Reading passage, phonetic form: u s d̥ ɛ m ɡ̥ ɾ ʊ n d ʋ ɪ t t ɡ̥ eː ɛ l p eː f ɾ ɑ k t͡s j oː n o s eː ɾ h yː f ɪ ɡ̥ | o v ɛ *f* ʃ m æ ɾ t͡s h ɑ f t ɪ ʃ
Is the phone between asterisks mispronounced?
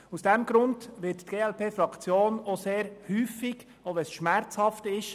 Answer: yes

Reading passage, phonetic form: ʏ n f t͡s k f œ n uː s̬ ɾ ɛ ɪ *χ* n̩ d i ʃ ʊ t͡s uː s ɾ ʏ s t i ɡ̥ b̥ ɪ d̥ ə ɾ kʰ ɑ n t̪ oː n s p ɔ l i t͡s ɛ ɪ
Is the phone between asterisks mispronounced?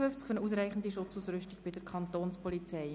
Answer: no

